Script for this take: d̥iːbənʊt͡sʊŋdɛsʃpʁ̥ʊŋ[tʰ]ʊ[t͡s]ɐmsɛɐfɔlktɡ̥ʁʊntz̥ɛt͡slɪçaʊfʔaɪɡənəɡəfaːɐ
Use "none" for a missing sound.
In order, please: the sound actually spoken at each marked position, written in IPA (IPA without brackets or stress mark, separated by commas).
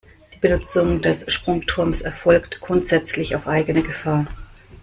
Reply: tʰ, none